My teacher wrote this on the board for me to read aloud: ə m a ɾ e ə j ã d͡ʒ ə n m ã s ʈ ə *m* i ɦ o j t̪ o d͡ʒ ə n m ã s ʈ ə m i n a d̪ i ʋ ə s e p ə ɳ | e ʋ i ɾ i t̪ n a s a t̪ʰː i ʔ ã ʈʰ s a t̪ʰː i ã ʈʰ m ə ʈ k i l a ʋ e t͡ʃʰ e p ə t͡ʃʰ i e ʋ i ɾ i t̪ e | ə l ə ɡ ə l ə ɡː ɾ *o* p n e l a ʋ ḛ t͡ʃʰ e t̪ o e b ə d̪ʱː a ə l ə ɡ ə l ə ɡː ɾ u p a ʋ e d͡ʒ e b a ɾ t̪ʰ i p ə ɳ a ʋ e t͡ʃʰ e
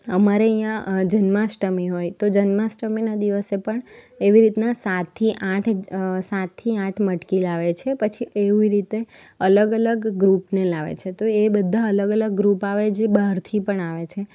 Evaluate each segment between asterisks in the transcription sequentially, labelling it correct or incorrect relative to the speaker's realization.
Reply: correct, incorrect

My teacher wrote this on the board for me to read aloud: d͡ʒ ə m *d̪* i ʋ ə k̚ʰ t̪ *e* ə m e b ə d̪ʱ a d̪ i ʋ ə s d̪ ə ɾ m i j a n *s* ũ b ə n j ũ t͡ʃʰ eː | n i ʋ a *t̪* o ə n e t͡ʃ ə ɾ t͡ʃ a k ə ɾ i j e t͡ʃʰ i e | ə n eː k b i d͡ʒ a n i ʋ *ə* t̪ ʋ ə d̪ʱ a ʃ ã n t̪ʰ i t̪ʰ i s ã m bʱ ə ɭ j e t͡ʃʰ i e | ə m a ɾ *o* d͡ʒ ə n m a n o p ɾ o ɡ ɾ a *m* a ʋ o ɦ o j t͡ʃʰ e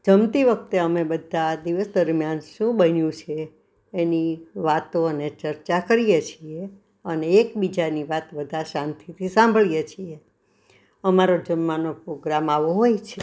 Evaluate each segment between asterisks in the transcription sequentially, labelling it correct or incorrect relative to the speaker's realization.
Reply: incorrect, correct, incorrect, correct, incorrect, correct, correct

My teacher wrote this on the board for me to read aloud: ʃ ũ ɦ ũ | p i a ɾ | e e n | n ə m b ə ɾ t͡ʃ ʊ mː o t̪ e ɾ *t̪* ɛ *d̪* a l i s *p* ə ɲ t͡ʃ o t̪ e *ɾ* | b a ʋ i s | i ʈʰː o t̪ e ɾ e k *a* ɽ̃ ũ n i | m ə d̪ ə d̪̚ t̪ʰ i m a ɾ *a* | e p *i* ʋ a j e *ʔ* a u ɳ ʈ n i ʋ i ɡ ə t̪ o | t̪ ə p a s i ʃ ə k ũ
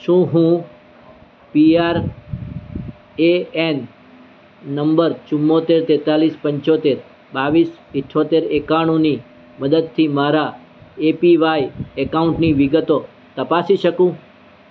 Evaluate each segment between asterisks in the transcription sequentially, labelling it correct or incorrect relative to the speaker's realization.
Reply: correct, incorrect, correct, correct, correct, correct, correct, incorrect

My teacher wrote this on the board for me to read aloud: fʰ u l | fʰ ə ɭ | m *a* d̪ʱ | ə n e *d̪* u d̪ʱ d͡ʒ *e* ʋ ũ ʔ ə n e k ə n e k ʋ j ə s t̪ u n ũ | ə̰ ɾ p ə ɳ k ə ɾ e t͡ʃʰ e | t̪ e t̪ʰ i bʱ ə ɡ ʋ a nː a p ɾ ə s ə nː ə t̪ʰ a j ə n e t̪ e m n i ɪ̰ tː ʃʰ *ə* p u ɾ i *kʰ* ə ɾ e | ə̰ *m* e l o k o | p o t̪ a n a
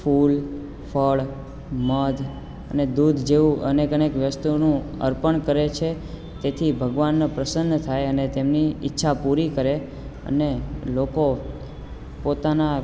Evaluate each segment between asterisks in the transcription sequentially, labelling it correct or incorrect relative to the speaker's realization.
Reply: incorrect, correct, correct, incorrect, incorrect, incorrect

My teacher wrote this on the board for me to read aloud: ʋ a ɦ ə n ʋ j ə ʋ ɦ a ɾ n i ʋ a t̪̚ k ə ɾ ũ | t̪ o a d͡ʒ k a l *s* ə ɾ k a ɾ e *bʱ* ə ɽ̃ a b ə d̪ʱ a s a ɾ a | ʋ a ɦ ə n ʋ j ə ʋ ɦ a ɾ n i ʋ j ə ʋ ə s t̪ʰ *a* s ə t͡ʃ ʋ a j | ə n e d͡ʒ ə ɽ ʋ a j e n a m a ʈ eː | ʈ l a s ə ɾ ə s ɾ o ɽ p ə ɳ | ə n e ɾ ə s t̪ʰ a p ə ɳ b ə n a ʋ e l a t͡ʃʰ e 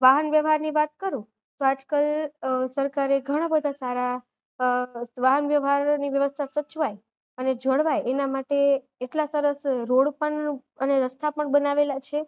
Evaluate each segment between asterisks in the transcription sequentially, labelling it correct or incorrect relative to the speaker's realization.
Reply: correct, incorrect, correct

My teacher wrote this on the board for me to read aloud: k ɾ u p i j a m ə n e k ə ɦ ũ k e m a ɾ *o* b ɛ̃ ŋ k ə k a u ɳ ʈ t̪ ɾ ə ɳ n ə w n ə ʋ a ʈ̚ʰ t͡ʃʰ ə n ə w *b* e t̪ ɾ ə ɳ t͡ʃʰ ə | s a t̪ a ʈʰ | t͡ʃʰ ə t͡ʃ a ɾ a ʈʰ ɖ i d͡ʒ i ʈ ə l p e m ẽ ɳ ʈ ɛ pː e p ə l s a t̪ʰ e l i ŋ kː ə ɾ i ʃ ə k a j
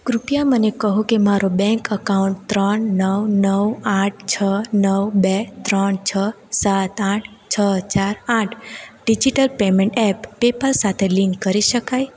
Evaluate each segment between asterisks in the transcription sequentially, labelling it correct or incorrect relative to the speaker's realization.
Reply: correct, correct

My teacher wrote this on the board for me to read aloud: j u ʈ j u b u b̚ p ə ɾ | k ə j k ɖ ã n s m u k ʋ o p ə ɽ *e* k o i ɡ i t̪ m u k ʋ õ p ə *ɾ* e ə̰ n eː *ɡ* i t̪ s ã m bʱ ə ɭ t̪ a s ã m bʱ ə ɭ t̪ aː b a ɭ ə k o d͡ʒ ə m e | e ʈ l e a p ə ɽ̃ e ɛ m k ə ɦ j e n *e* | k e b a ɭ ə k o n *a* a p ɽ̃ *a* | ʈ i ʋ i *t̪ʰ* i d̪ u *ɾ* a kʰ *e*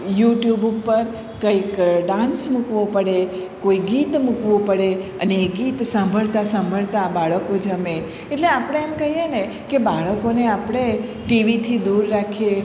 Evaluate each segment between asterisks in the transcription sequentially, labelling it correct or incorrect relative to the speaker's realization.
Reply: correct, incorrect, correct, correct, incorrect, incorrect, correct, incorrect, correct

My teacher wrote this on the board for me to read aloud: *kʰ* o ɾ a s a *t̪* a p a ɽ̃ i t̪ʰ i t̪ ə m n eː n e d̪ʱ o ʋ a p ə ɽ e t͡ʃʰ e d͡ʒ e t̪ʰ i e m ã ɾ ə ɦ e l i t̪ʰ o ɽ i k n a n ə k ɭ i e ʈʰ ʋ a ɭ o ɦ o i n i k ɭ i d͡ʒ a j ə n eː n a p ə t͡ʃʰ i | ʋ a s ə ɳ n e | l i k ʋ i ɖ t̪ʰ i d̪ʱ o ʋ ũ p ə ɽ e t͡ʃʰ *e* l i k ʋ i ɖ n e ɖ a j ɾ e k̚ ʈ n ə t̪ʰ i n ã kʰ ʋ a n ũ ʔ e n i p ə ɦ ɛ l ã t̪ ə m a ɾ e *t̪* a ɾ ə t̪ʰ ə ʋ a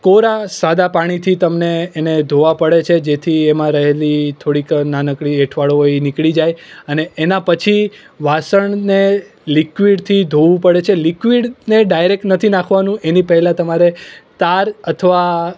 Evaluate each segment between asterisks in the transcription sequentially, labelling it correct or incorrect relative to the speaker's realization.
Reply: incorrect, incorrect, correct, correct

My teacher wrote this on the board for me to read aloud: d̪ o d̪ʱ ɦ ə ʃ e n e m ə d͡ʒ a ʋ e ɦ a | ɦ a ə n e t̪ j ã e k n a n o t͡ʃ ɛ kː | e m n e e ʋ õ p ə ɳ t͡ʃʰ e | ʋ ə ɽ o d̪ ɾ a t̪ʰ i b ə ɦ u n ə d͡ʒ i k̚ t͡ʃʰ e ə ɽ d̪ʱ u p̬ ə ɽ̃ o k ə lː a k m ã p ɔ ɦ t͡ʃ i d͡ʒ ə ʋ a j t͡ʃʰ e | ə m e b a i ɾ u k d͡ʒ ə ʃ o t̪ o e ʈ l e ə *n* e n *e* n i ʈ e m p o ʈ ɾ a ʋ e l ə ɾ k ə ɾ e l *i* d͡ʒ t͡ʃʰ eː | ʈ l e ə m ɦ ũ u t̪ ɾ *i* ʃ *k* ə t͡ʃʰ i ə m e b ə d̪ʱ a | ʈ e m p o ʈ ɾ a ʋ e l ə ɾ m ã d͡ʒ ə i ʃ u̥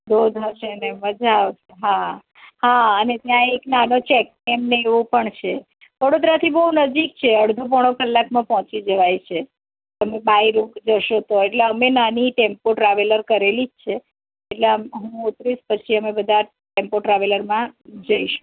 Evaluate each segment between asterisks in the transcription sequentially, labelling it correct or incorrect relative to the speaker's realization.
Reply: incorrect, incorrect, correct, correct, incorrect

